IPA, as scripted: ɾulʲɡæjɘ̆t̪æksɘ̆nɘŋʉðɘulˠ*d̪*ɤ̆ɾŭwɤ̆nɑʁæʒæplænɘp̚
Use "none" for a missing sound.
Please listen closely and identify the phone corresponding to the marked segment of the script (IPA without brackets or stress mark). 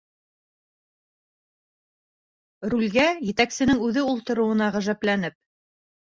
t̪